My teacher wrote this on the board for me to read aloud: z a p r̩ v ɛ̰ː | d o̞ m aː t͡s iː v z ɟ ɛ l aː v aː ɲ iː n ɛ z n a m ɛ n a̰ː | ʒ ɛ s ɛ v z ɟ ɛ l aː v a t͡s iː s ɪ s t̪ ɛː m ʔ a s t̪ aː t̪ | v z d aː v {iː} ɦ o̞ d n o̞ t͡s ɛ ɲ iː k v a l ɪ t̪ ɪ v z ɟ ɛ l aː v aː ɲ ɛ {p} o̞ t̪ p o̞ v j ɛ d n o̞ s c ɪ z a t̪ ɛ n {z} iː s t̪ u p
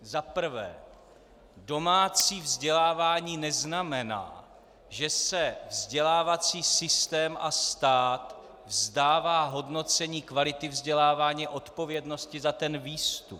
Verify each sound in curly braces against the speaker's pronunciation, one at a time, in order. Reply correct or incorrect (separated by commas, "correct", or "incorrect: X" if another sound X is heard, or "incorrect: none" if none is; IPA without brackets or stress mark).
incorrect: aː, incorrect: ʔ, incorrect: v